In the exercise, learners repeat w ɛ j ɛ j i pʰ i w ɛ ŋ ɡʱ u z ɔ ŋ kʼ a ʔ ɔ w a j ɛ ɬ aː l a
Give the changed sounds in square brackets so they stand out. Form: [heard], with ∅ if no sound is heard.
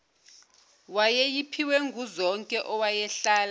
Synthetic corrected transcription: w [a] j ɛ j i pʰ i w ɛ ŋ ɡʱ u z ɔ ŋ kʼ [ɛ] ʔ ɔ w a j ɛ ɬ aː l a